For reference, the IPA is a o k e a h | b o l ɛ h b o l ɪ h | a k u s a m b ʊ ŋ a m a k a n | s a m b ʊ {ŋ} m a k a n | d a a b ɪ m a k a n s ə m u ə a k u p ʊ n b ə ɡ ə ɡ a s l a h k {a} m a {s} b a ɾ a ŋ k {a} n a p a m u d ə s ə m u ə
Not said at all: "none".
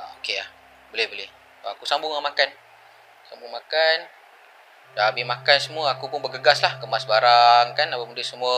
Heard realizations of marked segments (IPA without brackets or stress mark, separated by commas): ŋ, ə, s, a